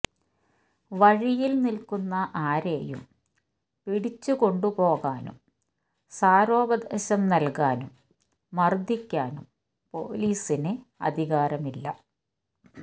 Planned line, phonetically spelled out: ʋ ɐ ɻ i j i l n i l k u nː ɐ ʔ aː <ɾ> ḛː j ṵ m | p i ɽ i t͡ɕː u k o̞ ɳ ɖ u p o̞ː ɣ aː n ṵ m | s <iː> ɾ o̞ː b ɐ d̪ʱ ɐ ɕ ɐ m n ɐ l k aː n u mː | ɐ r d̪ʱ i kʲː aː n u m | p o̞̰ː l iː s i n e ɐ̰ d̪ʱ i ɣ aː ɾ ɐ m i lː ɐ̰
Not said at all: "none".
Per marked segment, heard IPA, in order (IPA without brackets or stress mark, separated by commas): ɾ, aː